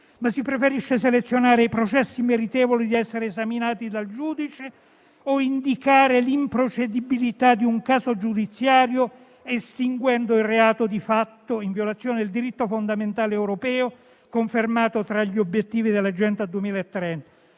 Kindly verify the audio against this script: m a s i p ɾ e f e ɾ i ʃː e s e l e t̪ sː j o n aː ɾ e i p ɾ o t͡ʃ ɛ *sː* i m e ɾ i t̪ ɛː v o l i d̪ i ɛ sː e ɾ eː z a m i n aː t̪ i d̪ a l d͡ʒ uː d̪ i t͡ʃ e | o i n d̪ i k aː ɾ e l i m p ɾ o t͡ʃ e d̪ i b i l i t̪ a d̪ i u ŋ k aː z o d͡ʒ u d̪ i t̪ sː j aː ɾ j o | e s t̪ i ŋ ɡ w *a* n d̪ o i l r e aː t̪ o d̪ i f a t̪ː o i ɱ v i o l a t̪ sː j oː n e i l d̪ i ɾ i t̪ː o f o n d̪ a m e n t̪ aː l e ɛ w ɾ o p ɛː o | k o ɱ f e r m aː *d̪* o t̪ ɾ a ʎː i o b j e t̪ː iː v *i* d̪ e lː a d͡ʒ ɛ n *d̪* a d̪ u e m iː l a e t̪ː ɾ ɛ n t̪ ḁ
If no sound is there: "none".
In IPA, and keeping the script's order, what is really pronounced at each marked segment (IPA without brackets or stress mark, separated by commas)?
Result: sː, ɛ, t̪, i, t̪